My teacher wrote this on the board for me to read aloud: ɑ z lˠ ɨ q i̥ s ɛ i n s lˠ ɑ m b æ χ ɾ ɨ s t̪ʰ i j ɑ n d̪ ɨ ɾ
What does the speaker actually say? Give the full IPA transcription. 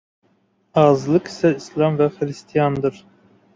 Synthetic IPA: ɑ z lˠ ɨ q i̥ s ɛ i s lˠ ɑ m v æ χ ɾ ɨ s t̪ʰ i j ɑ n d̪ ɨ ɾ